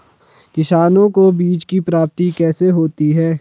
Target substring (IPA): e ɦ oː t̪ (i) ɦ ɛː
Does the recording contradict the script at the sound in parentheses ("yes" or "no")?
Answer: no